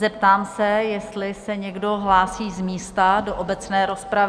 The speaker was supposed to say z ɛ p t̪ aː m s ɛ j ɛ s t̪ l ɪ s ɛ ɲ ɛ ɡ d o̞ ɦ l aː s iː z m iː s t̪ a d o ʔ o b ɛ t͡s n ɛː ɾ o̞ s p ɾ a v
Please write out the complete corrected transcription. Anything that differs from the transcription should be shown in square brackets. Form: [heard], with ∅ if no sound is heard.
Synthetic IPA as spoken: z ɛ p t̪ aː m s ɛ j ɛ s t̪ l ɪ s ɛ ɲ ɛ ɡ d o̞ ɦ l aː s iː z m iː s t̪ a d o ʔ o b ɛ t͡s n ɛː ɾ o̞ s p ɾ a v